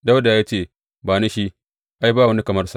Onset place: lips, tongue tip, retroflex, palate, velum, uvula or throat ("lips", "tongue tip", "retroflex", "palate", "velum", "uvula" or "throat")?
tongue tip